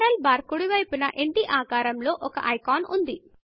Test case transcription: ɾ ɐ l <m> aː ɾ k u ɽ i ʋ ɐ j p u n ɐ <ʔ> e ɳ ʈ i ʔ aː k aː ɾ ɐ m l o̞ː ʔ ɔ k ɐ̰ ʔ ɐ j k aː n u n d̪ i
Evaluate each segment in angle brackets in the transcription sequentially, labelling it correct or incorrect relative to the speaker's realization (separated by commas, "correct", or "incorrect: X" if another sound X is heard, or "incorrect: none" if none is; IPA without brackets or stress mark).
incorrect: b, correct